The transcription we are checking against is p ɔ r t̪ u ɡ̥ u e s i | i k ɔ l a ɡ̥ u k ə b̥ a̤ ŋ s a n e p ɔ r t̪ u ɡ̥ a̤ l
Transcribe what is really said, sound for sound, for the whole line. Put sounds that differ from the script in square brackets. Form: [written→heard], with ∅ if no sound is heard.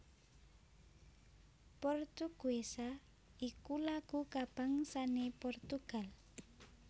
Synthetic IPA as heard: p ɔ r t̪ u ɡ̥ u e s [i→a] | i k [ɔ→u] l a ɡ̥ u k [ə→a] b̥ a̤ ŋ s a n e p ɔ r t̪ u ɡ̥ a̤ l